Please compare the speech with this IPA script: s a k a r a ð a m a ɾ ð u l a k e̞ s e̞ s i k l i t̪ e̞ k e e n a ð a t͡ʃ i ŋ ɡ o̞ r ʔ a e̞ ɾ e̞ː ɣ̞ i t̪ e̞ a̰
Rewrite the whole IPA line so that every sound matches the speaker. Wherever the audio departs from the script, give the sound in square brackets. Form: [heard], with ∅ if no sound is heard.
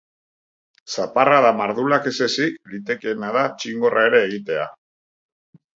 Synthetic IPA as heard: s a [p] a r a ð a m a ɾ ð u l a k e̞ s e̞ s i k l i t̪ e̞ k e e n a ð a t͡ʃ i ŋ ɡ o̞ r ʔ a e̞ ɾ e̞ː ɣ̞ i t̪ e̞ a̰